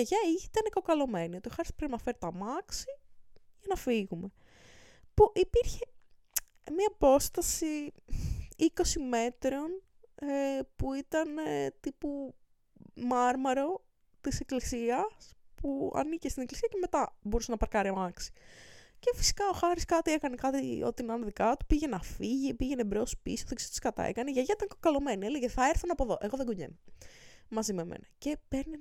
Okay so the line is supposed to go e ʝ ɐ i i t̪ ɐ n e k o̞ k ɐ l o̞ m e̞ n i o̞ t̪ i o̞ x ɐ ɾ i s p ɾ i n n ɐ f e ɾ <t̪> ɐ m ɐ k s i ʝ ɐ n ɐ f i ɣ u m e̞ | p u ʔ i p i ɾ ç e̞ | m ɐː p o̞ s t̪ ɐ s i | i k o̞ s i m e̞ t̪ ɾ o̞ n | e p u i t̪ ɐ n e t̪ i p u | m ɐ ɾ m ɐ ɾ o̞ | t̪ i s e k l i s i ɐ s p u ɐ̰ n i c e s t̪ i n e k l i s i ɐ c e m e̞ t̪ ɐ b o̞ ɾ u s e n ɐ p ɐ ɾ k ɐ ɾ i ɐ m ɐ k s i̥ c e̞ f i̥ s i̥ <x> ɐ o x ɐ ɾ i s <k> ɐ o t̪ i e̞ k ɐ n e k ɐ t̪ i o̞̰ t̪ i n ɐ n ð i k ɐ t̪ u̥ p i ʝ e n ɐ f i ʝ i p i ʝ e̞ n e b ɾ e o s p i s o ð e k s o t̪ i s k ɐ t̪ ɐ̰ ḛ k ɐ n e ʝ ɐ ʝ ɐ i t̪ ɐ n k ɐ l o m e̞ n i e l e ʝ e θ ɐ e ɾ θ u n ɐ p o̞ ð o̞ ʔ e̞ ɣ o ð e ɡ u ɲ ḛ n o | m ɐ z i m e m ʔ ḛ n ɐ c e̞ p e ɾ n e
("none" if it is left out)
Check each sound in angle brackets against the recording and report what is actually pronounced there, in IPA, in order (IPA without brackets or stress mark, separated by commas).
t̪, k, k